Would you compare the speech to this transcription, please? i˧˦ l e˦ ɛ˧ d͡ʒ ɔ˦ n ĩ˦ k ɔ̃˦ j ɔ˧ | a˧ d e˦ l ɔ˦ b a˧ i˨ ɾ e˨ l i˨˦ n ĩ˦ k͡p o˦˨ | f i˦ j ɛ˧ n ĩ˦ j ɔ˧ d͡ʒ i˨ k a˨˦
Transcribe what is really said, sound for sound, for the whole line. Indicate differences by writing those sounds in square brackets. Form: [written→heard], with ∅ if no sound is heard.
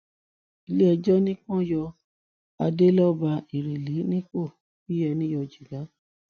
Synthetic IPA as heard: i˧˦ l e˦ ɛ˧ d͡ʒ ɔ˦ n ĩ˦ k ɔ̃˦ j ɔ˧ | a˧ d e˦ l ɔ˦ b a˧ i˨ ɾ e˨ l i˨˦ n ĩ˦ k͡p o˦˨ | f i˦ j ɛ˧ n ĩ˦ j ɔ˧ d͡ʒ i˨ [k→ɡ] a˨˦

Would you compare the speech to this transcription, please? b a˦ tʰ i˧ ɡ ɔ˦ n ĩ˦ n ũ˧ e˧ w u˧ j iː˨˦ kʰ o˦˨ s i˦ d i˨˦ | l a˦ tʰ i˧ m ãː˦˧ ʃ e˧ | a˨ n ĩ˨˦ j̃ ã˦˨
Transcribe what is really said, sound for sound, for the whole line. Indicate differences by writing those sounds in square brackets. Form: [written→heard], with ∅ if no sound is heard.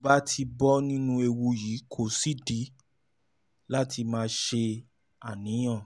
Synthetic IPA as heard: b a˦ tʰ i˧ [ɡ→b] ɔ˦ n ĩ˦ n ũ˧ e˧ w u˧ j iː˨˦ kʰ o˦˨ s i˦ d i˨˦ | l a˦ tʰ i˧ m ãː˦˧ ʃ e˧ | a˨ n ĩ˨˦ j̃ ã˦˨

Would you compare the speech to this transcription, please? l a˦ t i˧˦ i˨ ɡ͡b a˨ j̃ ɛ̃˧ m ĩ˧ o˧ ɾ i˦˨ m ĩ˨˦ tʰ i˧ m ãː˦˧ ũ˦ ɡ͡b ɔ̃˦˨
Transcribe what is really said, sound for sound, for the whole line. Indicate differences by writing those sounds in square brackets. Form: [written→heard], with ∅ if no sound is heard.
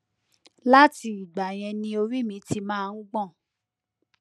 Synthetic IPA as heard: l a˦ t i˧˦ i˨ ɡ͡b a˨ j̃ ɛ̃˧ [m→n] ĩ˧ o˧ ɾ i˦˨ m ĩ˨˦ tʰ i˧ m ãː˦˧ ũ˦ ɡ͡b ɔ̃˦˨

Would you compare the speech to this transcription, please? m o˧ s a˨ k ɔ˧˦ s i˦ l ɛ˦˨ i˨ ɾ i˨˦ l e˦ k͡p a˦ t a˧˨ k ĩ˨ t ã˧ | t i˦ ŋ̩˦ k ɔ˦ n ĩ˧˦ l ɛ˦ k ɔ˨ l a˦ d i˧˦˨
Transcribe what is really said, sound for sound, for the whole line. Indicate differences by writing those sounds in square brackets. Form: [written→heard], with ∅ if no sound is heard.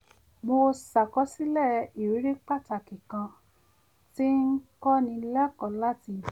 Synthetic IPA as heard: m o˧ s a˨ k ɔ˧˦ s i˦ l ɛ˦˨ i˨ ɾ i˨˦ [l→ɾ] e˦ k͡p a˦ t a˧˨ k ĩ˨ [t→k] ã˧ | t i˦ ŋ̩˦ k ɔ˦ n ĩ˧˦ l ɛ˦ k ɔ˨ l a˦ [d→t] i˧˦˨

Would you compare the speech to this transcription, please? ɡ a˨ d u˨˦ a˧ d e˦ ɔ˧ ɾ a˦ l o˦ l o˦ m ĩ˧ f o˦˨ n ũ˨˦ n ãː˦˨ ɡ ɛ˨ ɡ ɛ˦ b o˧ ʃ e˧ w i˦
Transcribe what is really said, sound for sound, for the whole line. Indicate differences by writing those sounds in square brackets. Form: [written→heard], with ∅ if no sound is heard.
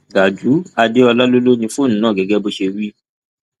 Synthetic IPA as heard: ɡ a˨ [d→d͡ʒ] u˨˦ a˧ d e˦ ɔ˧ [ɾ→l] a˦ l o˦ l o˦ [m→n] ĩ˧ f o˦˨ n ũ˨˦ n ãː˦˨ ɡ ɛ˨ ɡ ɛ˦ b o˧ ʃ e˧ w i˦

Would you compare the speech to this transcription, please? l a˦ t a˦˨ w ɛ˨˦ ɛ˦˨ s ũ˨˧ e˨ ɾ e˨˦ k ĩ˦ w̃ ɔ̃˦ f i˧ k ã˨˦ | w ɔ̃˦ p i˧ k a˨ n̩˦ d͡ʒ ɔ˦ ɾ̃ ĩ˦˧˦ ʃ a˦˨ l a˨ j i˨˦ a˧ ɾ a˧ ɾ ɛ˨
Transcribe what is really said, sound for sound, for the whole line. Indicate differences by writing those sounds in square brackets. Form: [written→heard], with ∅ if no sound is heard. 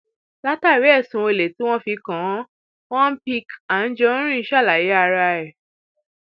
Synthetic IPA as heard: l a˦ t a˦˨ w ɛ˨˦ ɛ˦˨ s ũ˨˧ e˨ [ɾ→l] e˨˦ [k→t] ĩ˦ w̃ ɔ̃˦ f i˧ k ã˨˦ | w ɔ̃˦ p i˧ k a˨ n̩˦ d͡ʒ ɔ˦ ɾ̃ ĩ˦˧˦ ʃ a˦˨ l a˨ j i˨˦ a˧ ɾ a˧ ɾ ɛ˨

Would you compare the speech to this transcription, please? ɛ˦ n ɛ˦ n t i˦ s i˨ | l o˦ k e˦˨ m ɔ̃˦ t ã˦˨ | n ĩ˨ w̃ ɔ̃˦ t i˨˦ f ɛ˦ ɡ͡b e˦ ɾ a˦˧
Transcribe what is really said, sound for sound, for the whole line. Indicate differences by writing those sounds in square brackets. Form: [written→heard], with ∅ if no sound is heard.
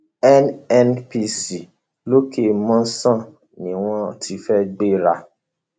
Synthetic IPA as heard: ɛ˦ n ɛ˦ n [t→p] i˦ s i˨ | l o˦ k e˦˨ m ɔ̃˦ [t→s] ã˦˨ | n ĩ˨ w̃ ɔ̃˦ t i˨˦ f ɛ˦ ɡ͡b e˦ ɾ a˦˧

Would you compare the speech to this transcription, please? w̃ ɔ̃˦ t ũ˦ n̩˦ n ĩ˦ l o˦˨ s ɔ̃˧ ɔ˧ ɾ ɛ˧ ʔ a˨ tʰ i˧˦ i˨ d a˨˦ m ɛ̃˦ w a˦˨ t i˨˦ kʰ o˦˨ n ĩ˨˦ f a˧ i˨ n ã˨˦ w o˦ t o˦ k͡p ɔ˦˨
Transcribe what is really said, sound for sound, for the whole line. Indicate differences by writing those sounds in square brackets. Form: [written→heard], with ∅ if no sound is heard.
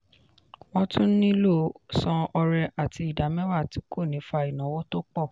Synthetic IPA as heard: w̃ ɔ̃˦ t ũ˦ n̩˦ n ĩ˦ l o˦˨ s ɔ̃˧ ɔ˧ ɾ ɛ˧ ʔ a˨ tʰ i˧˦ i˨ d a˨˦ m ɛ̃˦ w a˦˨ t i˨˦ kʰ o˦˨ n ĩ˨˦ f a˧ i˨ n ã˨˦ w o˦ t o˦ k͡p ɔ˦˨

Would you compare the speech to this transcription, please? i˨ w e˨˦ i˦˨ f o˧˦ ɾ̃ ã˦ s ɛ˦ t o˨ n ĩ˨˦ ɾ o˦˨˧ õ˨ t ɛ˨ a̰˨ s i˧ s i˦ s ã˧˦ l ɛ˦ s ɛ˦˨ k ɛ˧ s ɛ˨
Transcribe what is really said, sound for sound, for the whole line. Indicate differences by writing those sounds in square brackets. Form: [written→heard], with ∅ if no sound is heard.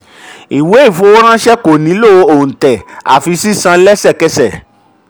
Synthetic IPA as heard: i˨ w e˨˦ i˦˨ f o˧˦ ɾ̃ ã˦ [s→ʃ] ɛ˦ [t→k] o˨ n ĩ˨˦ [ɾ→l] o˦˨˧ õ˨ t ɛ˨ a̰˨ [s→f] i˧ s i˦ s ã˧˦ l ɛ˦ s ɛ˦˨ k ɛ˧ s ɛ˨

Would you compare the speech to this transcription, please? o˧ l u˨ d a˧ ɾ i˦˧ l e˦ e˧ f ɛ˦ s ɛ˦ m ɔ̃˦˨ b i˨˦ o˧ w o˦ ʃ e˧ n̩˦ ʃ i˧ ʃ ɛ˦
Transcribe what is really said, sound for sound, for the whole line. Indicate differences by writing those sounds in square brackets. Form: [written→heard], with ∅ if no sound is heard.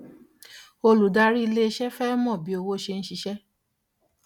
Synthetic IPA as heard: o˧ l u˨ d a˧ ɾ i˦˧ l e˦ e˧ [f→ʃ] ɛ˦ [s→f] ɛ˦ m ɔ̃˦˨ b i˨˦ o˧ w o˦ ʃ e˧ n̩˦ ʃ i˧ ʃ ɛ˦

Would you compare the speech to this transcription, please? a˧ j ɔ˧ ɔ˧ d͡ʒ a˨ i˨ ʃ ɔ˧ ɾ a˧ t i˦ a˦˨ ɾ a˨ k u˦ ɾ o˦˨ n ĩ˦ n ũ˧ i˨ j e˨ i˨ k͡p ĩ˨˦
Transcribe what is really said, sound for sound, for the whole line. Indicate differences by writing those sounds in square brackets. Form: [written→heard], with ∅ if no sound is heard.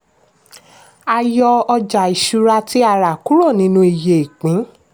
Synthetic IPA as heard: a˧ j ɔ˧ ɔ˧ d͡ʒ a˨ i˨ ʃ [ɔ˧→u˧] ɾ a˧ t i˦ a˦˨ ɾ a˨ k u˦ ɾ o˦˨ n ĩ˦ n ũ˧ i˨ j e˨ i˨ k͡p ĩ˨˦

